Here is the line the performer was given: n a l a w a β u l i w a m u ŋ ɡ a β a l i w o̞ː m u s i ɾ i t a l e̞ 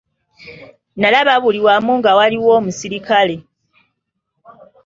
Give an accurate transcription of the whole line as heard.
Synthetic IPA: n a l a β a β u l i w a m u ŋ ɡ a w a l i w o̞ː m u s i ɾ i k a l e̞

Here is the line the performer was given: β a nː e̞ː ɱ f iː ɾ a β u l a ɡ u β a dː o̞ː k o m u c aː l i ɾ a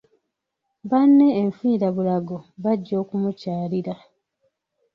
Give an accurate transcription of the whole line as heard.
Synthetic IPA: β a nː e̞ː ɱ f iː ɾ a β u l a ɡ o β a ɟː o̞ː k u m u c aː l i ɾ a

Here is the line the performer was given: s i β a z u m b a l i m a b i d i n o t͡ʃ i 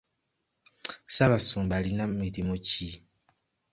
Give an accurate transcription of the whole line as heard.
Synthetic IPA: s a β a s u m b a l i n a m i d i m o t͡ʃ i

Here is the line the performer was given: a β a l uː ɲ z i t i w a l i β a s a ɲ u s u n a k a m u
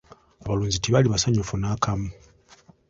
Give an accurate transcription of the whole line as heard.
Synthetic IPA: a β a l uː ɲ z i t i β a l i β a s a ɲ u f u n a k a m u

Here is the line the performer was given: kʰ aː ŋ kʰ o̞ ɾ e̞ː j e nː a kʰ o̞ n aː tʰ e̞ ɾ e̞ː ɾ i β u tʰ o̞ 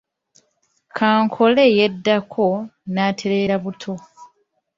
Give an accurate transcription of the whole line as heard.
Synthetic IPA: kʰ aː ŋ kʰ o̞ l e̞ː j e dː a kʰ o̞ n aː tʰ e̞ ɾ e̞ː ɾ a β u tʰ o̞

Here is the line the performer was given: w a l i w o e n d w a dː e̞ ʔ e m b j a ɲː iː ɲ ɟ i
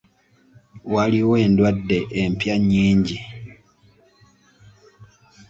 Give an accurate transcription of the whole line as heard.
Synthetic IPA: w a l i w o e n d w a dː e̞ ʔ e m p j a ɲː iː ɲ ɟ i

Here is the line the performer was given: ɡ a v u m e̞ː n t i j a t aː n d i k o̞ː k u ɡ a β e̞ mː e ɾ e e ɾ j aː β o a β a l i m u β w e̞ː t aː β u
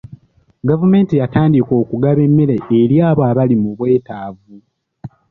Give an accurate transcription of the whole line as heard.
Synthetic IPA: ɡ a v u m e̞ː n t i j a t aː n d i k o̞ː k u ɡ a β e̞ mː e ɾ e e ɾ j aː β o a β a l i m u β w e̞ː t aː v u

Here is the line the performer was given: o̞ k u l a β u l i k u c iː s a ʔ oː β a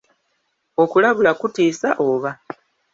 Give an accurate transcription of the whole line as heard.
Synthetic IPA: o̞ k u l a β u l a k u t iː s a ʔ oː β a

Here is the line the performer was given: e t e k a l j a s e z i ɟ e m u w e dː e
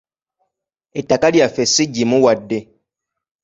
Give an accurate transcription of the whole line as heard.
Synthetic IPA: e t a k a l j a f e s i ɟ i m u w a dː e

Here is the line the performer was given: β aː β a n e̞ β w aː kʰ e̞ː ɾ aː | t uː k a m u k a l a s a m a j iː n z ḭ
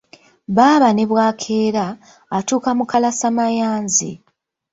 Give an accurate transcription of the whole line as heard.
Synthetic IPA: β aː β a n e̞ β w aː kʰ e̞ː ɾ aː | t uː k a m u k a l a s a m a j aː n z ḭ

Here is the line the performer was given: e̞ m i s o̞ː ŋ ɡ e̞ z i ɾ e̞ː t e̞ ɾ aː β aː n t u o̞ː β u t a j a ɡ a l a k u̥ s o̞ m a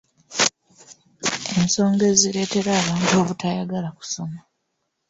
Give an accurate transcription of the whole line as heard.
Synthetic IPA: e̞ m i s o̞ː ŋ ɡ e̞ z i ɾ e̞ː t e̞ ɾ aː β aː n t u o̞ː β u t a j a ɡ a l a k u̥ s o̞ m a

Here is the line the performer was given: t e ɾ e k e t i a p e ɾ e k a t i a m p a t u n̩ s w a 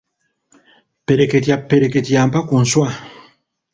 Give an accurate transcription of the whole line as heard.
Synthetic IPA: p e ɾ e k e t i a p e ɾ e k e t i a m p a k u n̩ s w a

